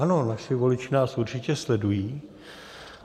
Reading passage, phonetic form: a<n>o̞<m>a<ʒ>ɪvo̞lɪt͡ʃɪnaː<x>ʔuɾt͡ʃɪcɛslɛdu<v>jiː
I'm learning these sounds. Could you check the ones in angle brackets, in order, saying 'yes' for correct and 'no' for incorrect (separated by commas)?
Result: yes, no, no, no, no